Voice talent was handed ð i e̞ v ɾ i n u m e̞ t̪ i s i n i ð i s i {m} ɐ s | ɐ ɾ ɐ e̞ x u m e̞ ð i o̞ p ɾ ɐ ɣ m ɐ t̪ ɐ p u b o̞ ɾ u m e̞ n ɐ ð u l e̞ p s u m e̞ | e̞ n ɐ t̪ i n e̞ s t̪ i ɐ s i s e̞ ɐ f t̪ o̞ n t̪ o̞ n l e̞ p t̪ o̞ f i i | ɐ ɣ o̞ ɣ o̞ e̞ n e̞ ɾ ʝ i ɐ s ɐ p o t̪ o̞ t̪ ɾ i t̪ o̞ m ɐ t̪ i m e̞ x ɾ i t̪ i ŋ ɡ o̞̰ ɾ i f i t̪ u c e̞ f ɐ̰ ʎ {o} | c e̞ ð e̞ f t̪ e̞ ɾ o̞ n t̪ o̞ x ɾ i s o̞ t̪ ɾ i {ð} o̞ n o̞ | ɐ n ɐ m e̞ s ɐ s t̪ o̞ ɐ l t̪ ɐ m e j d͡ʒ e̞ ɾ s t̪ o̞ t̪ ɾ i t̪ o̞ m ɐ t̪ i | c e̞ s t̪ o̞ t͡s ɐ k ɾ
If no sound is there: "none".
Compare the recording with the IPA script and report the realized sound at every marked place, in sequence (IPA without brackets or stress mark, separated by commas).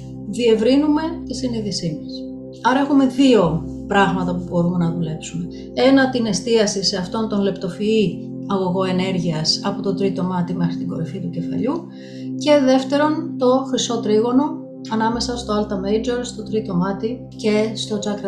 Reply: m, u, ɣ